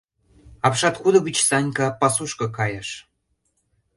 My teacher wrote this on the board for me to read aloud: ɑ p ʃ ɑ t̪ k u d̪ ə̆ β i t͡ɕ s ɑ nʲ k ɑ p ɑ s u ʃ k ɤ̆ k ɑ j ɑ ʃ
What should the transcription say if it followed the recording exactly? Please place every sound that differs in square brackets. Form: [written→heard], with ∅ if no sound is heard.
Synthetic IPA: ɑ p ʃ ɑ t̪ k u d̪ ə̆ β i t͡ɕ s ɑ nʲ k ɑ p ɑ s u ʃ k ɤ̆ k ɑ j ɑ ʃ